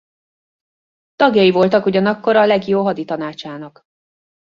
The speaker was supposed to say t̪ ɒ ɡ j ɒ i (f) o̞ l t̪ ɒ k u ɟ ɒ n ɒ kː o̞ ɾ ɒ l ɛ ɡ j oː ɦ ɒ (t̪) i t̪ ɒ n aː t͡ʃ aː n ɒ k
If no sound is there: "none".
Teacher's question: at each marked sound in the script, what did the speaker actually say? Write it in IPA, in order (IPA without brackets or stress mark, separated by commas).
v, d̪